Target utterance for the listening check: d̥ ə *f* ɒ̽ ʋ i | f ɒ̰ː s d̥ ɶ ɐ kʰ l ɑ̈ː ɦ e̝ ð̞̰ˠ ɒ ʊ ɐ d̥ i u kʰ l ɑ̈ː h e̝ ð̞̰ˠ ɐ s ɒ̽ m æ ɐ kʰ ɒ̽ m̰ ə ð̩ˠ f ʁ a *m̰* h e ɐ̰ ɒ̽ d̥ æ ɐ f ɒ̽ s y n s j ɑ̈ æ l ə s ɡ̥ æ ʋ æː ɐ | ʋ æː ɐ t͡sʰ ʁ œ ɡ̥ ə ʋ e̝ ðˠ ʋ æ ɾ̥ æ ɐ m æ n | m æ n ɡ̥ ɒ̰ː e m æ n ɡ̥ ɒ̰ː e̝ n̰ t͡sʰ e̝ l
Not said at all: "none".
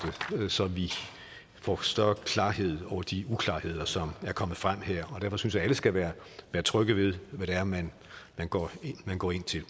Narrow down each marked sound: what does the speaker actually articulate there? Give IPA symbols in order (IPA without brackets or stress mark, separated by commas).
s, m̰